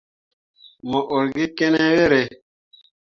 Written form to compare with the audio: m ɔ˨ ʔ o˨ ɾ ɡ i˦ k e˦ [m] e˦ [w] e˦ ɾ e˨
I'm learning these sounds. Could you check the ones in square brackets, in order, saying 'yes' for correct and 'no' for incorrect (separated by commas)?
no, yes